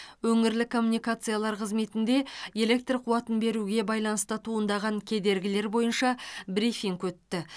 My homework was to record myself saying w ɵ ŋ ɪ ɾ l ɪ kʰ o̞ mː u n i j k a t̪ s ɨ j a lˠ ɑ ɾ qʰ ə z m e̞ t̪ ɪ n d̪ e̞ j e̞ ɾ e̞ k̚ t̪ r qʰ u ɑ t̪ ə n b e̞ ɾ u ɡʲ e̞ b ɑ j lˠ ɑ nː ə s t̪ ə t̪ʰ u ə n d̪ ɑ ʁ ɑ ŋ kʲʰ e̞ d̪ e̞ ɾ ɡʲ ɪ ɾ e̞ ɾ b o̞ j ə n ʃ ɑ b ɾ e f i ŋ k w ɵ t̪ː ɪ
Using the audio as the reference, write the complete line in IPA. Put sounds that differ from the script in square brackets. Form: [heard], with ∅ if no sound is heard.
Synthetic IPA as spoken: w ɵ ŋ ɪ ɾ l ɪ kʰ o̞ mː u n i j k a t̪ s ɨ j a lˠ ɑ ɾ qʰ ə z m e̞ t̪ ɪ n d̪ e̞ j e̞ [l] e̞ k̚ t̪ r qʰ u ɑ t̪ ə n b e̞ ɾ u ɡʲ e̞ b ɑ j lˠ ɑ [n] ə s t̪ ə t̪ʰ u ə n d̪ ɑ ʁ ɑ ŋ kʲʰ e̞ d̪ e̞ ɾ ɡʲ ɪ [l] e̞ ɾ b o̞ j ə n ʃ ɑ b ɾ [i] f i ŋ k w ɵ t̪ː ɪ